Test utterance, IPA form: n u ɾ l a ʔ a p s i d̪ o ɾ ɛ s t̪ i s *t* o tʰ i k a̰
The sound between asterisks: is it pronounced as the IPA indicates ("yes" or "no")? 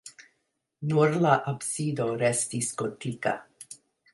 no